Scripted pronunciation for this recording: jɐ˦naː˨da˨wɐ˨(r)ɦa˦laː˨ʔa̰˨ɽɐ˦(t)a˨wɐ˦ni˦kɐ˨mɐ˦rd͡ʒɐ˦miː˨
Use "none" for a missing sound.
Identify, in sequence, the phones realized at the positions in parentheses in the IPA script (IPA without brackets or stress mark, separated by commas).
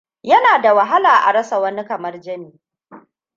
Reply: none, s